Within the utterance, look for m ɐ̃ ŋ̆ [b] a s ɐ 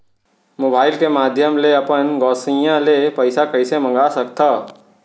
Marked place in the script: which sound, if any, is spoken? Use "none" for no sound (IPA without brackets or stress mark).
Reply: ɡ